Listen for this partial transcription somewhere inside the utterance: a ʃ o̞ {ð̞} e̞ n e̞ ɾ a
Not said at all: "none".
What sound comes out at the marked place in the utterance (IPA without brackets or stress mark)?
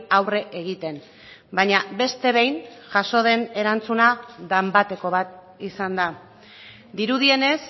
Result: ð̞